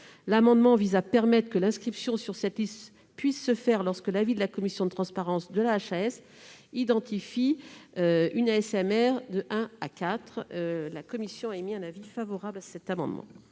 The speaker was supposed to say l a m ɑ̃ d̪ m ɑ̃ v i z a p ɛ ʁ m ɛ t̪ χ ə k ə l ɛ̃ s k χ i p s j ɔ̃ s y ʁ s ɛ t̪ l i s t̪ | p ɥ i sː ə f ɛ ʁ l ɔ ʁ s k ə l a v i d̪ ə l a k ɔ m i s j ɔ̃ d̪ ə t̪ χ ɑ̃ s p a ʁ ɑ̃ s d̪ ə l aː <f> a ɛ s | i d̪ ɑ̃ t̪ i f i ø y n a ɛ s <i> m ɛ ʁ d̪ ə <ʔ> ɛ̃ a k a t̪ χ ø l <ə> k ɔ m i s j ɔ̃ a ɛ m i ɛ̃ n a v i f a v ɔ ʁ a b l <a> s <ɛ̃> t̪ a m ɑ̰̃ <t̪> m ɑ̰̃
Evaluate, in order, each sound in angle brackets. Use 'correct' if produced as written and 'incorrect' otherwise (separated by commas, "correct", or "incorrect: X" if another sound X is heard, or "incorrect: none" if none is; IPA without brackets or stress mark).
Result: incorrect: ʃ, incorrect: ɛ, correct, incorrect: a, correct, incorrect: ɛ, incorrect: d̪